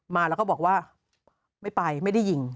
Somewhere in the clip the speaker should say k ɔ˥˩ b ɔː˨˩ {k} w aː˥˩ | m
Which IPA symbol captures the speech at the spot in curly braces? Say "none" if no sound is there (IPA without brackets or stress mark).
k